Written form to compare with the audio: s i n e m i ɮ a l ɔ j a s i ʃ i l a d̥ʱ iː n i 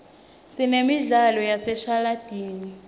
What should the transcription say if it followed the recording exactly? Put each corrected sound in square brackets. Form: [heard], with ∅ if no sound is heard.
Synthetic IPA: s i n e m i ɮ a l ɔ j a s [ɛ] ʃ [a] l a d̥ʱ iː n i